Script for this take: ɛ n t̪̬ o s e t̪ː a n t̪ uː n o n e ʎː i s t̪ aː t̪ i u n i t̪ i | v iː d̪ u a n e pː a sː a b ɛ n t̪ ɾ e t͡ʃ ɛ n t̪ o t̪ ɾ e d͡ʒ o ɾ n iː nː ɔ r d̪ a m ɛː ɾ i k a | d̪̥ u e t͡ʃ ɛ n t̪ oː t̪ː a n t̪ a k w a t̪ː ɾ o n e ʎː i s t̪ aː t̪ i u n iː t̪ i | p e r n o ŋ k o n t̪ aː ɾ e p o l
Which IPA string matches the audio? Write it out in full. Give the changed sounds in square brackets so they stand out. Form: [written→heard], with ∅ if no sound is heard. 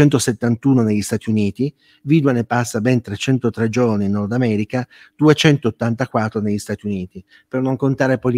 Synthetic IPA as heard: ɛ n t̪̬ o s e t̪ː a n t̪ uː n o n e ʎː i s t̪ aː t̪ i u n [i→iː] t̪ i | v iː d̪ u a n e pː a sː a b ɛ n t̪ ɾ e t͡ʃ ɛ n t̪ o t̪ ɾ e d͡ʒ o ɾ n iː nː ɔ r d̪ a m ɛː ɾ i k a | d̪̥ u e t͡ʃ ɛ n t̪ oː t̪ː a n t̪ a k w a t̪ː ɾ o n e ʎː i s t̪ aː t̪ i u n iː t̪ i | p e r n o ŋ k o n t̪ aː ɾ e p o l

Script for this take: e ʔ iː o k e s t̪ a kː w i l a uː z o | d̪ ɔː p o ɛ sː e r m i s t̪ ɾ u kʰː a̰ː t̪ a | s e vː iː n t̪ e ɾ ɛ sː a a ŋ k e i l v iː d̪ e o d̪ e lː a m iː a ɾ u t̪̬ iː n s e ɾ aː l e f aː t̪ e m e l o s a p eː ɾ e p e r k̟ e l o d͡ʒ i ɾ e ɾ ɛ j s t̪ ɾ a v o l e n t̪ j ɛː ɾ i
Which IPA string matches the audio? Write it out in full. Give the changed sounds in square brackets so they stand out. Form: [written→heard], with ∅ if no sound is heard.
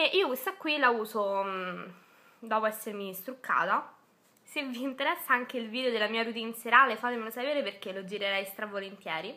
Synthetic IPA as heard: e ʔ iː o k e s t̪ a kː w i l a uː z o | d̪ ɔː p o ɛ sː e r m i s t̪ ɾ u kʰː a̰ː t̪ a | s e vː iː n t̪ e ɾ ɛ sː a a ŋ k e i l v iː d̪ e o d̪ e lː a m iː a ɾ u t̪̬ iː n s e ɾ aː l e f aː t̪ e m e l o s a p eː ɾ e p e r k̟ e l o d͡ʒ i ɾ e ɾ ɛ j s t̪ ɾ a v o l e n t̪ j ɛː ɾ i

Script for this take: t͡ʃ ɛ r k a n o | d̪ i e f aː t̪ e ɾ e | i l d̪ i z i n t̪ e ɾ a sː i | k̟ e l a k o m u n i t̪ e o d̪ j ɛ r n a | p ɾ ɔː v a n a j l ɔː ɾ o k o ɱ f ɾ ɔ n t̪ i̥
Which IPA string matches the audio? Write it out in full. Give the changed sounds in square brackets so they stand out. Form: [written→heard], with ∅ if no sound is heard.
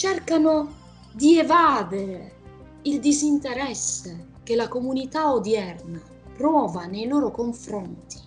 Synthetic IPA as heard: t͡ʃ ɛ r k a n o | d̪ i e [f→v] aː [t̪→d̪] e ɾ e | i l d̪ i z i n t̪ e ɾ [a→ɛ] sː [i→e] | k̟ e l a k o m u n i t̪ [e→a] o d̪ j ɛ r n a | p ɾ ɔː v a n [a→e] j l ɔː ɾ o k o ɱ f ɾ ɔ n t̪ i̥

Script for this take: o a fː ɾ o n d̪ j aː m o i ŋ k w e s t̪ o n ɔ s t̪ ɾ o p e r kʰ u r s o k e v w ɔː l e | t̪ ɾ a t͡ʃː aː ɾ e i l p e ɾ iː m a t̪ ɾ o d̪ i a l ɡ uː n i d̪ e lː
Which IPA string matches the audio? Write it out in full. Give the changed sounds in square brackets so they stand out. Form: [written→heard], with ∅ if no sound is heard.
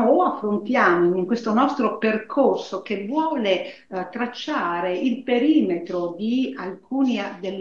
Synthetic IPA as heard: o a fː ɾ o n [d̪→t̪] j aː m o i ŋ k w e s t̪ o n ɔ s t̪ ɾ o p e r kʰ [u→o] r s o k e v w ɔː l e | t̪ ɾ a t͡ʃː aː ɾ e i l p e ɾ iː m [a→e] t̪ ɾ o d̪ i a l [ɡ→k] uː n i d̪ e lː

